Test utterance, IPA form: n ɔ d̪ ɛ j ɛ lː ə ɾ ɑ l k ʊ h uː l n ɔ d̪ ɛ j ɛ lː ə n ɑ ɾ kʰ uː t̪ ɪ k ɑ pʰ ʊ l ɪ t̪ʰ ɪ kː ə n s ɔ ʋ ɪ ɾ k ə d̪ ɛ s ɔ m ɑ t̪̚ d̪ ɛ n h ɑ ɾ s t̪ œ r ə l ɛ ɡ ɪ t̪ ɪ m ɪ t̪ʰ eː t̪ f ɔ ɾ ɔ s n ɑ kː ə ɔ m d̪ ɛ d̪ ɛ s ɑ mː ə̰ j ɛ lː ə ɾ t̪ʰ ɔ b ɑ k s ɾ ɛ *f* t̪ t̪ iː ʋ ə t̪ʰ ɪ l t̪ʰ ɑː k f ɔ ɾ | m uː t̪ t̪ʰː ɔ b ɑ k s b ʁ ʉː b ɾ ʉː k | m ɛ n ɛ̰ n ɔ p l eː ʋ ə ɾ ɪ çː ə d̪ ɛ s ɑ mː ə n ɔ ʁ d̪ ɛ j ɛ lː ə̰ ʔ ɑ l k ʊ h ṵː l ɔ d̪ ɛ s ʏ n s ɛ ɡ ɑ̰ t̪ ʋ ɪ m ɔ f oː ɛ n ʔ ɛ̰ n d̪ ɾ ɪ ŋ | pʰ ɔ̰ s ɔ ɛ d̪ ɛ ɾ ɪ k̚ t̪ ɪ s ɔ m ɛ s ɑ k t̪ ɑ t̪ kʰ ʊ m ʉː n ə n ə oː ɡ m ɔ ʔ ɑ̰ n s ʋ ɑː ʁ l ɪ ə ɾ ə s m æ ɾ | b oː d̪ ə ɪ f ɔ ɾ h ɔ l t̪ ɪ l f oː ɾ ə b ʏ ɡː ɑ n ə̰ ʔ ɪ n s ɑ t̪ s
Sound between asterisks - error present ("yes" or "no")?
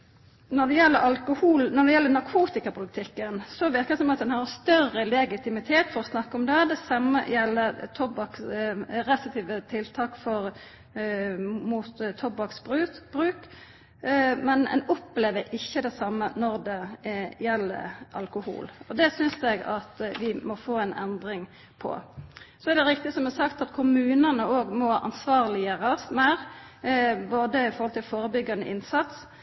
yes